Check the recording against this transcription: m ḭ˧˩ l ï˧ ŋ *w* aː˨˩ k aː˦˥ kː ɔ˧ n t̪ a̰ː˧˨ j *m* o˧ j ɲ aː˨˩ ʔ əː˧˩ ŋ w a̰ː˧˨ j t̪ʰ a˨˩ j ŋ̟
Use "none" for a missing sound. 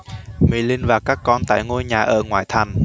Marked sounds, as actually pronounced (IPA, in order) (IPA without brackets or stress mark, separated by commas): v, ŋ